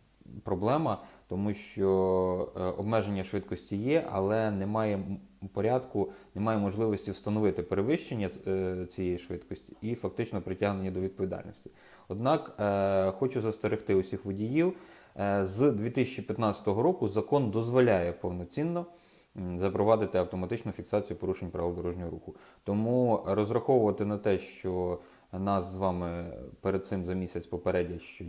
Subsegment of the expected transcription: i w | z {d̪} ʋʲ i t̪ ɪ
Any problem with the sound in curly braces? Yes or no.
no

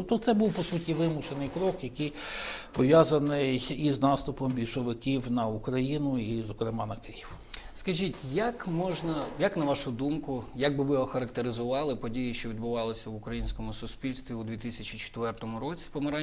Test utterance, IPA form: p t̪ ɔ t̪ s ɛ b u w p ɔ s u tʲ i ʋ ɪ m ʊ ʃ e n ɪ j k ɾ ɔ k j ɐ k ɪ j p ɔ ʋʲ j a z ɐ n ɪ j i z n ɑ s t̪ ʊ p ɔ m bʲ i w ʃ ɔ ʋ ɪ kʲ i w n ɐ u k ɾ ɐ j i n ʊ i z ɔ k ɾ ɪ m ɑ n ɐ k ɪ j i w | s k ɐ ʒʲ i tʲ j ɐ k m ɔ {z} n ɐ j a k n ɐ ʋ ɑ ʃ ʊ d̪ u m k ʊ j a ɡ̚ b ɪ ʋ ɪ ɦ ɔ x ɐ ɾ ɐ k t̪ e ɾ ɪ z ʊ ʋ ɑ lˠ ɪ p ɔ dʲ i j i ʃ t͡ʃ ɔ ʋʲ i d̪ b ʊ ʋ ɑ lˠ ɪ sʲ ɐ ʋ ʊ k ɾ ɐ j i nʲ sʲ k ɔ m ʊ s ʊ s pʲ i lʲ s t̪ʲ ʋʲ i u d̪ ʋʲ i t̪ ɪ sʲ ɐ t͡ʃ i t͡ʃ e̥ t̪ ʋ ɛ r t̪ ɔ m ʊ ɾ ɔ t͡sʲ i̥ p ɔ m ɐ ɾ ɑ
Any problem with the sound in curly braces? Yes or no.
yes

